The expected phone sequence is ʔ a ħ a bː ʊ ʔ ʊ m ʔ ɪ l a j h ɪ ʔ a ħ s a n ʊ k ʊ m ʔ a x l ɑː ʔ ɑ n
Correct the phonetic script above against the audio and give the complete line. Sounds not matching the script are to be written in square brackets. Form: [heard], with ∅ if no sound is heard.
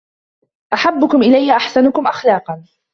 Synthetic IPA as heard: ʔ a ħ a bː ʊ [k] ʊ m ʔ ɪ l a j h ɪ ʔ a ħ s a n ʊ k ʊ m ʔ a x l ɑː [q] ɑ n